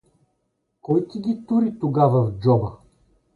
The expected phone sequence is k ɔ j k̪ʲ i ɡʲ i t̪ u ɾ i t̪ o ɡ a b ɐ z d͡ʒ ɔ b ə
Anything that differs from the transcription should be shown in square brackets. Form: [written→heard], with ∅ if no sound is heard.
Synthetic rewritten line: k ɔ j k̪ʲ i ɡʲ i t̪ u ɾ i t̪ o ɡ a [b→v] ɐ [z→v] d͡ʒ ɔ b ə